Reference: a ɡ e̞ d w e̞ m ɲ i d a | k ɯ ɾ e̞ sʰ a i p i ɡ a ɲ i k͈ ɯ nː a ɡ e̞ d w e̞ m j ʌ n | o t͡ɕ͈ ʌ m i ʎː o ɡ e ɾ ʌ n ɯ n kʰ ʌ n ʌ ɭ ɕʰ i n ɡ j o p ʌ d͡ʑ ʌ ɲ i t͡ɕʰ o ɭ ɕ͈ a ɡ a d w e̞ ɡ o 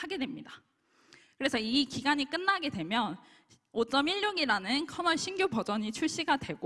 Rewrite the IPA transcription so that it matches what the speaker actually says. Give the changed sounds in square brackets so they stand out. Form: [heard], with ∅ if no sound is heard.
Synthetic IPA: a ɡ e̞ d w e̞ m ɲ i d a | k ɯ ɾ e̞ sʰ [ʌ] i [k] i ɡ a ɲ i k͈ ɯ nː a ɡ e̞ d w e̞ m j ʌ n | o t͡ɕ͈ ʌ m i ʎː o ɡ [i] ɾ [a] n ɯ n kʰ ʌ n ʌ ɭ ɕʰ i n ɡ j o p ʌ d͡ʑ ʌ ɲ i t͡ɕʰ [u] ɭ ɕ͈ [i] ɡ a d w e̞ ɡ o